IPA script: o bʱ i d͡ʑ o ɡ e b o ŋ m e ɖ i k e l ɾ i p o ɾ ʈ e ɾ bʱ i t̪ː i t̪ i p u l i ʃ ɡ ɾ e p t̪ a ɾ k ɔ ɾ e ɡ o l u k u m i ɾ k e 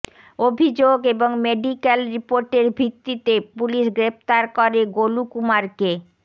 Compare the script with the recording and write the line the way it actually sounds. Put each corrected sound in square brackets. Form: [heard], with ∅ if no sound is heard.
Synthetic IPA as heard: o bʱ i d͡ʑ o ɡ e b o ŋ m e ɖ i k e l ɾ i p o ɾ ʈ e ɾ bʱ i t̪ː i t̪ [e] p u l i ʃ ɡ ɾ e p t̪ a ɾ k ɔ ɾ e ɡ o l u k u m [a] ɾ k e

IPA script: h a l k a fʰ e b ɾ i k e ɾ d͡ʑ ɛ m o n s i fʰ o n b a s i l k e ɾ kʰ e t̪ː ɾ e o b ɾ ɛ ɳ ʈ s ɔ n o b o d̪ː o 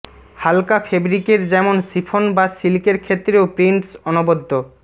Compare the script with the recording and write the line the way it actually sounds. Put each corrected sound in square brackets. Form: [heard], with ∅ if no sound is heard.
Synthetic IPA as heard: h a l k a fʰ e b ɾ i k e ɾ d͡ʑ ɛ m o n s i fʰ o n b a s i l k e ɾ kʰ e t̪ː ɾ e o [p] ɾ [i] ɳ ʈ s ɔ n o b o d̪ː o

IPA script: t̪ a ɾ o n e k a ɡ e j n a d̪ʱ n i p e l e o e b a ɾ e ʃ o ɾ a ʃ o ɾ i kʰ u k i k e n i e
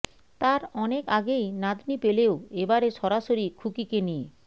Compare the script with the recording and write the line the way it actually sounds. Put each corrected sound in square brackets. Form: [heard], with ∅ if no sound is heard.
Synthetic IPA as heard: t̪ a ɾ [ɔ] n e k a ɡ e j n a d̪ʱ n i p e l e o e b a ɾ e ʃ [ɔ] ɾ a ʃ o ɾ i kʰ u k i k e n i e

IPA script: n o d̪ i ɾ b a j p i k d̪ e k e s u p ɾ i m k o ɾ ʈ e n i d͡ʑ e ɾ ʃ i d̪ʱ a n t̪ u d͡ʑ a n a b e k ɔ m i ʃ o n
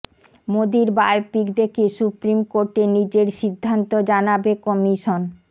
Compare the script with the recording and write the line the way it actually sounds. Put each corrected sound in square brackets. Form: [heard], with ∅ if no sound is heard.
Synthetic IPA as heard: [m] o d̪ i ɾ b a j p i k d̪ e k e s u p ɾ i m k o ɾ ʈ e n i d͡ʑ e ɾ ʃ i [d̪ʱː] a n t̪ [o] d͡ʑ a n a b e k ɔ m i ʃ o n

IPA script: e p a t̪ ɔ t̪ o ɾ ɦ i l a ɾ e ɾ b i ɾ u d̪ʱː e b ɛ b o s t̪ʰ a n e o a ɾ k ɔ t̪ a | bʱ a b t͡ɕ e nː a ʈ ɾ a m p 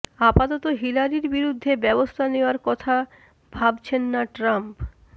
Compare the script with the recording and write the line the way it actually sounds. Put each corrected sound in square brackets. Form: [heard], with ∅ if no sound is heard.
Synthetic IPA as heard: [a] p a t̪ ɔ t̪ o [∅] ɦ i l a ɾ [i] ɾ b i ɾ u d̪ʱː e b ɛ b o s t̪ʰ a n e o a ɾ k ɔ [t̪ʰ] a | bʱ a b [t͡ɕʰ] e nː a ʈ ɾ a m p

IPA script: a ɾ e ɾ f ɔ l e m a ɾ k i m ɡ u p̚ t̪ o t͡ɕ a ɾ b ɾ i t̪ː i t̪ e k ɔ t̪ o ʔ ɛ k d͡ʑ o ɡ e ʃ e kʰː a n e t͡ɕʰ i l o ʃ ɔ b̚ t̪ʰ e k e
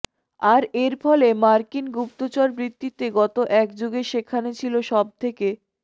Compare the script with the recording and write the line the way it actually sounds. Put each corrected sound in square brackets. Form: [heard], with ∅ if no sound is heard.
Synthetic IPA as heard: a ɾ e ɾ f ɔ l e m a ɾ k i [n] ɡ u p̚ t̪ o t͡ɕ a ɾ b ɾ i t̪ː i t̪ e [ɡ] ɔ t̪ o ʔ ɛ k d͡ʑ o ɡ e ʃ e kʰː a n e t͡ɕʰ i l o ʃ ɔ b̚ t̪ʰ e k e

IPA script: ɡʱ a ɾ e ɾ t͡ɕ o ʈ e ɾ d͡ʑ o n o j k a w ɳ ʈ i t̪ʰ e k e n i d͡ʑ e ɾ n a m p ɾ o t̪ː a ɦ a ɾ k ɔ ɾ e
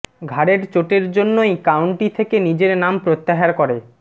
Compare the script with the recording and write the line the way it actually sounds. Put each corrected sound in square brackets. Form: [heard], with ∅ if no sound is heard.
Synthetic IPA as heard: ɡʱ a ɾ e ɾ t͡ɕ o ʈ e ɾ d͡ʑ o [nː] o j k a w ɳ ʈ i t̪ʰ e k e n i d͡ʑ e ɾ n a m p ɾ o t̪ː a ɦ a ɾ k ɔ ɾ e

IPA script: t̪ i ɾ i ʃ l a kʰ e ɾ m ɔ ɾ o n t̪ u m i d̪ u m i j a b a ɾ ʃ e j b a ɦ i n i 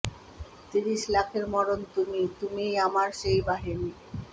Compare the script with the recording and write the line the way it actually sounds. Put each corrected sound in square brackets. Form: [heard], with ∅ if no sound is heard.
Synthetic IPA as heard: t̪ i ɾ i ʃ l a kʰ e ɾ m ɔ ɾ o n t̪ u m i [t̪] u m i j a [m] a ɾ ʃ e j b a ɦ i n i

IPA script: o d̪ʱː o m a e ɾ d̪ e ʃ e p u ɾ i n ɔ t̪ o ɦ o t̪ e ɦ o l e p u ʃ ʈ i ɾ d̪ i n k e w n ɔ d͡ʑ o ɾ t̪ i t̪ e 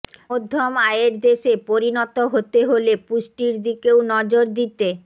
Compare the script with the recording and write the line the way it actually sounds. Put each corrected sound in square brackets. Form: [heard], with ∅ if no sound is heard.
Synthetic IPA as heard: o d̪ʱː o m a e ɾ d̪ e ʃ e p [o] ɾ i n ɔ t̪ o ɦ o t̪ e ɦ o l e p u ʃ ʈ i ɾ d̪ i [∅] k e w n ɔ d͡ʑ o ɾ [d̪] i t̪ e

